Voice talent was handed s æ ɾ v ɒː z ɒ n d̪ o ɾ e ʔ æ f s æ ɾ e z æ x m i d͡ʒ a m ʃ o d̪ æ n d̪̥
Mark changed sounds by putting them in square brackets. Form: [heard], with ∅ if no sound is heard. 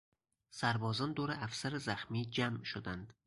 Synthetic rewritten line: s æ ɾ [b] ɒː z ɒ n d̪ o ɾ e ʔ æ f s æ ɾ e z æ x m i d͡ʒ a m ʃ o d̪ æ n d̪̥